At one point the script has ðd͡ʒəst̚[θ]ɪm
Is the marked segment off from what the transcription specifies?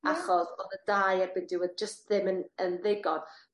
yes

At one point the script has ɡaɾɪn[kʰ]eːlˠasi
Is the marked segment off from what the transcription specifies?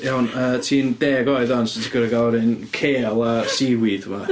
no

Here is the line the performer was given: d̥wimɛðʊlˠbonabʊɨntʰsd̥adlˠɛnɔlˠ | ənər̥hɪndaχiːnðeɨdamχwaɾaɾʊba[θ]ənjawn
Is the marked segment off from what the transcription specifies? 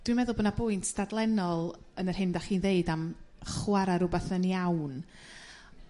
no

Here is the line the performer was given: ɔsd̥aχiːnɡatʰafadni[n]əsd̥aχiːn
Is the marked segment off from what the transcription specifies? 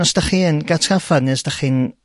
yes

